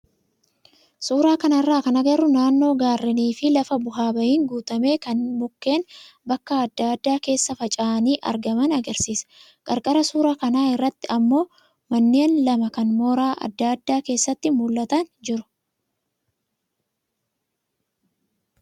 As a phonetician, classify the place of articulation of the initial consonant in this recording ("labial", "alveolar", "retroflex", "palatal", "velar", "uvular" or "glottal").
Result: alveolar